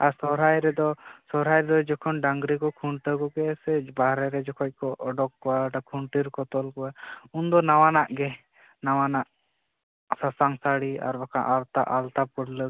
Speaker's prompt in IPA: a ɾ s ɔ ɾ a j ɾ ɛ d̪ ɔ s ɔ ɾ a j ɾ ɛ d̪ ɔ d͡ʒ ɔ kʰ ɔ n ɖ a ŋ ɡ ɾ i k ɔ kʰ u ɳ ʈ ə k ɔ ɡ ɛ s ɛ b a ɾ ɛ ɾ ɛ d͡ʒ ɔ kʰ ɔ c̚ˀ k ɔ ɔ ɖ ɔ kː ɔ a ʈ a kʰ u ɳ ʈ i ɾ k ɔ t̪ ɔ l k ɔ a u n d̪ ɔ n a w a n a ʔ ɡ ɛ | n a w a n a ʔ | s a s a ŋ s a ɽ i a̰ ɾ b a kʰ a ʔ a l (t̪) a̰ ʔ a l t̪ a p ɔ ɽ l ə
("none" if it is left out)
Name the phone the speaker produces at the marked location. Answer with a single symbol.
t̪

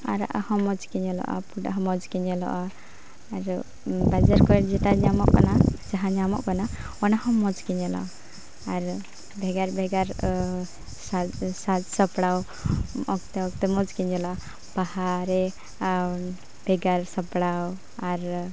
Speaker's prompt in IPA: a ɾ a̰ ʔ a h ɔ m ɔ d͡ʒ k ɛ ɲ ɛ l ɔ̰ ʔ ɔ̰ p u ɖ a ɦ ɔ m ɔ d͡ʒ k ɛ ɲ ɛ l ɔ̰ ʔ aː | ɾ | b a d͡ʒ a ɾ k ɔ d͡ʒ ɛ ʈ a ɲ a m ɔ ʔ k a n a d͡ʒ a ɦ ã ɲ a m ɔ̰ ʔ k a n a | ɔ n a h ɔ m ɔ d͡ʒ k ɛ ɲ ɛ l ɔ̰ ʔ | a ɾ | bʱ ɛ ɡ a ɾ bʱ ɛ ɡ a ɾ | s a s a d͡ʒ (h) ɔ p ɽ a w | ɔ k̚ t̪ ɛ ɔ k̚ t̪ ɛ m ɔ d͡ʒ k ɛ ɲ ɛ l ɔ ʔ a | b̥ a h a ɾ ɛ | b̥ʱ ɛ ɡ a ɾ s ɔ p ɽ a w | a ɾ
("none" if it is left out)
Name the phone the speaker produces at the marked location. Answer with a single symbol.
s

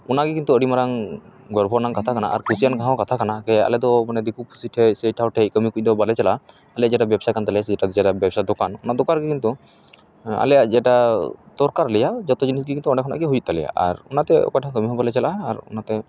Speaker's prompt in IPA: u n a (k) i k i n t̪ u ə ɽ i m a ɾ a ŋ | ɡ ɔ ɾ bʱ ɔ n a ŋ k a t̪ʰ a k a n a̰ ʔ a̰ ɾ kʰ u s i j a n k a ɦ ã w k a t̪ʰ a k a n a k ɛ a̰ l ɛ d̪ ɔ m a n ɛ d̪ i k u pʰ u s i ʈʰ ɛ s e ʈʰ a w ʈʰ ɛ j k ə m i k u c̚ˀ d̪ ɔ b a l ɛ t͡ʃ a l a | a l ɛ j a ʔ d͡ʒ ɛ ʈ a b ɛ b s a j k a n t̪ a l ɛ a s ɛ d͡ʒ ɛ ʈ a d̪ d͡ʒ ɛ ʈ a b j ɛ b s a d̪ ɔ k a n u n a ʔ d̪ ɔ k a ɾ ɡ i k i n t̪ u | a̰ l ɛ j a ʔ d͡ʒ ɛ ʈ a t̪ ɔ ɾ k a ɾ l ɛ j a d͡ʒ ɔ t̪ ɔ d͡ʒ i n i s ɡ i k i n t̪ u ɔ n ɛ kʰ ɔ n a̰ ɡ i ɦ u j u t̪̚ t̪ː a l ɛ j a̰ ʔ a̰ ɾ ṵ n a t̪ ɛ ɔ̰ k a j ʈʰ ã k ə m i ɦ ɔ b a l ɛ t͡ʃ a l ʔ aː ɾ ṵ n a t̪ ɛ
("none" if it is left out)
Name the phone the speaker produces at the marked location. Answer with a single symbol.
ɡ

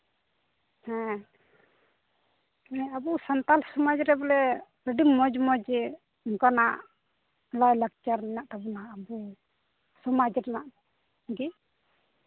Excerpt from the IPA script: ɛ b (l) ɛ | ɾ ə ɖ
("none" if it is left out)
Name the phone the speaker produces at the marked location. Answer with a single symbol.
l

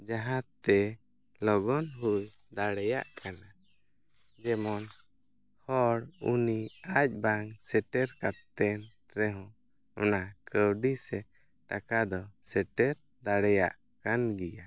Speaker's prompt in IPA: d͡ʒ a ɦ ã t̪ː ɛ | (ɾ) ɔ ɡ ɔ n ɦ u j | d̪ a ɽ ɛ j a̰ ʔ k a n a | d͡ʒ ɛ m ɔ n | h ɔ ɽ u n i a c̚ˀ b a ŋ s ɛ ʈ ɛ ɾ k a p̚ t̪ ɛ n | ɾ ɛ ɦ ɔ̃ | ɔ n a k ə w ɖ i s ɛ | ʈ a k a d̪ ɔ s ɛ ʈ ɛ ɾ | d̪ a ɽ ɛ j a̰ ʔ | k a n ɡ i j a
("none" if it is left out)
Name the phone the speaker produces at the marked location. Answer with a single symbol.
l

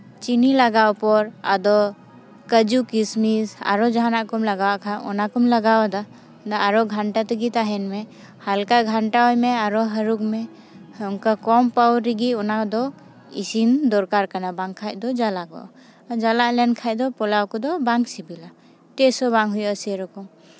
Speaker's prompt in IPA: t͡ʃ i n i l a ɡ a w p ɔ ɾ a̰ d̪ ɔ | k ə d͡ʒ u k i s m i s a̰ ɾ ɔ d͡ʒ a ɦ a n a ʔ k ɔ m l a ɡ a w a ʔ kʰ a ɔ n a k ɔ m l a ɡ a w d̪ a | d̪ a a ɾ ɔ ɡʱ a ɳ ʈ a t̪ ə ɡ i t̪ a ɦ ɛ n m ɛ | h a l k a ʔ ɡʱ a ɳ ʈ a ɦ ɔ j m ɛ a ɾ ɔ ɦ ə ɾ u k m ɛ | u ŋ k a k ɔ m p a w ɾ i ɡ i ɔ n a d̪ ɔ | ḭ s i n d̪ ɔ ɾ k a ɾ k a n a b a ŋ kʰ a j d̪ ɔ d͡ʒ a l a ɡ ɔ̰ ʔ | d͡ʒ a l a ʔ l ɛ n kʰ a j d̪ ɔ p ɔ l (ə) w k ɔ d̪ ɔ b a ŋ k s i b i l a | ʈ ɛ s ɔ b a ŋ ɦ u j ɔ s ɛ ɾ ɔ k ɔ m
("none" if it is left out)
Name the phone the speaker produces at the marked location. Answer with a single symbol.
a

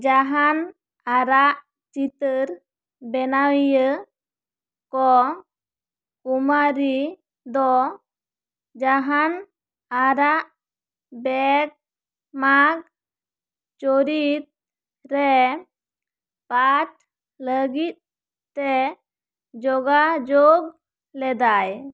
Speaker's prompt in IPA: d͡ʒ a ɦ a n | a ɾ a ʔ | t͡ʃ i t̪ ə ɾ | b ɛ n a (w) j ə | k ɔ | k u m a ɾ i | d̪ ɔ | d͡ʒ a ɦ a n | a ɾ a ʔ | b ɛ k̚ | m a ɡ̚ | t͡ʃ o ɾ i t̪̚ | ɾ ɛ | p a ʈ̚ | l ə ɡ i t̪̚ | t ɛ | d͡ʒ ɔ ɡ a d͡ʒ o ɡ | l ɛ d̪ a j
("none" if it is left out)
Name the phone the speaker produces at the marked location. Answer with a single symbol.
w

